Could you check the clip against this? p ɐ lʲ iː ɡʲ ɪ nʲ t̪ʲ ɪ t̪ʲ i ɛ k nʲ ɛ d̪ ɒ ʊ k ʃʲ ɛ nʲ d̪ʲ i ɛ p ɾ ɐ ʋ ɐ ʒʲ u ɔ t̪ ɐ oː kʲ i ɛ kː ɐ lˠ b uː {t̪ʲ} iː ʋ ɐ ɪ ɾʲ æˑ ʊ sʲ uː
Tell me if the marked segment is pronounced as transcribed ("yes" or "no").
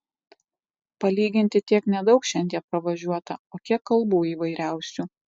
no